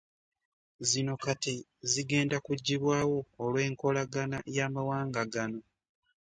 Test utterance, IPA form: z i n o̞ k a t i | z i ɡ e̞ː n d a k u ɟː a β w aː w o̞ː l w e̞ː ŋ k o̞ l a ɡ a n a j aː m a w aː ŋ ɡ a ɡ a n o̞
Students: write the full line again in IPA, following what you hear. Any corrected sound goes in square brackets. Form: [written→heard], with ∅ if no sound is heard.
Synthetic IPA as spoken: z i n o̞ k a t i | z i ɡ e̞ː n d a k u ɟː [a→i] β w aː w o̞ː l w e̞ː ŋ k o̞ l a ɡ a n a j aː m a w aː ŋ ɡ a ɡ a n o̞